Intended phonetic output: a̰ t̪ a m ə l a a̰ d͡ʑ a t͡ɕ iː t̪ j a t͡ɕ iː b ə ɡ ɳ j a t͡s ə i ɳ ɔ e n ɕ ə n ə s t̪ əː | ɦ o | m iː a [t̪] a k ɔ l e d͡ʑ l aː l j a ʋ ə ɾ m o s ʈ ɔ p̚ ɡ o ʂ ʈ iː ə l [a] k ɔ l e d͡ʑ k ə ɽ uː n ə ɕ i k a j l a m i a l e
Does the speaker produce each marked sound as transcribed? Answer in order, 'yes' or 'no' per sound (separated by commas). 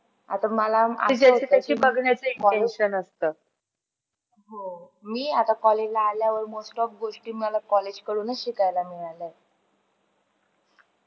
yes, yes